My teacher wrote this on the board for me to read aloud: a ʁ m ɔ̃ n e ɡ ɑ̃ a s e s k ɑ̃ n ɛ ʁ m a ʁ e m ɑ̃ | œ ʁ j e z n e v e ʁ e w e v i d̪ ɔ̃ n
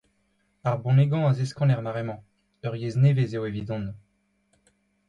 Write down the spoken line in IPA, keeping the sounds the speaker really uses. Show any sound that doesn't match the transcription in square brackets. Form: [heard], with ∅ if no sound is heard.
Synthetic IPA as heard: a ʁ [b] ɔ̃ n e ɡ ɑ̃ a [z] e s k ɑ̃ n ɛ ʁ m a ʁ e m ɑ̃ | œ ʁ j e z n e v e [z] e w e v i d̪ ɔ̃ n

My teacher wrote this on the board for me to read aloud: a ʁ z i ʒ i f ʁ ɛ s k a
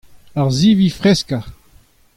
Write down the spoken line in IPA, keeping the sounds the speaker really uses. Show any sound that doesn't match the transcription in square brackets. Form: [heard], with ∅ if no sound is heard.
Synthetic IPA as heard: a ʁ z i [v] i f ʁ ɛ s k a

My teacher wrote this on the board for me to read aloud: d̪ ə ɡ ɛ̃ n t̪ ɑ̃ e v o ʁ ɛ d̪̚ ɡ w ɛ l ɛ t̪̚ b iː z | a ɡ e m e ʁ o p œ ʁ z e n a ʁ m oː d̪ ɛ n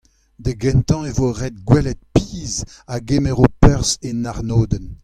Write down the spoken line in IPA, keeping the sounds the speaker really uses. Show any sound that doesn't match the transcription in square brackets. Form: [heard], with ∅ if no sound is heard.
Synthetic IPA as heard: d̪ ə ɡ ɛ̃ n t̪ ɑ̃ e v o ʁ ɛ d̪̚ ɡ w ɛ l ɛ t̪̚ [p] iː z | a ɡ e m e ʁ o p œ ʁ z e n a ʁ [n] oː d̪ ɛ n

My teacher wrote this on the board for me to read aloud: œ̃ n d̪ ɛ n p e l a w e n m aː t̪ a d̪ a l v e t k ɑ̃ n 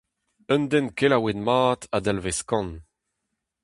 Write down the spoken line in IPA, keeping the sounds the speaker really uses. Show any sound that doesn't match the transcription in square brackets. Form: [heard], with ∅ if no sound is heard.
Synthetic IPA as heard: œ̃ n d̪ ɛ n [k] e l a w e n m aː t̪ a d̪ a l v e [s] k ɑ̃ n

